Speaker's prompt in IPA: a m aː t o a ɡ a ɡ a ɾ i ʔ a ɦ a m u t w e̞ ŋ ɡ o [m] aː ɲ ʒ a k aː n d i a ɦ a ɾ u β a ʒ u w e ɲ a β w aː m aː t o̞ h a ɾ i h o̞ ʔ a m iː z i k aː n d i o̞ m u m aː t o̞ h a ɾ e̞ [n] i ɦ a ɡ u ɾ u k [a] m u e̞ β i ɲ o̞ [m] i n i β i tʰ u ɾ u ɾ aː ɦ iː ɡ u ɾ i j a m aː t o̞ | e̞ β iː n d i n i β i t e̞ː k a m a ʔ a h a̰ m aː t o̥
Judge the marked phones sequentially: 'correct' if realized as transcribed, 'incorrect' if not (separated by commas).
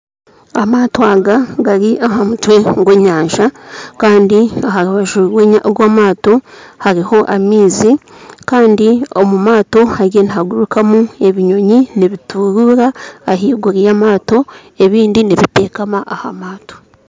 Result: incorrect, correct, correct, incorrect